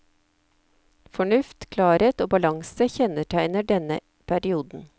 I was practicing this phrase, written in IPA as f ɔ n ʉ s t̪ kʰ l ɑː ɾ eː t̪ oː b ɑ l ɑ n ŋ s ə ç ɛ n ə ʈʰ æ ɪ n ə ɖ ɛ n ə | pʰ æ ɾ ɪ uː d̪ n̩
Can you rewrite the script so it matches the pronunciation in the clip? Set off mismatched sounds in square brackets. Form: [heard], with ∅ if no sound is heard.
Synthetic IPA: f ɔ [ɳ] ʉ [f] t̪ kʰ l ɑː ɾ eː t̪ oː b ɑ l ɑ [∅] ŋ s ə ç ɛ n ə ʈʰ æ ɪ n ə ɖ ɛ n ə | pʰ æ ɾ ɪ uː d̪ n̩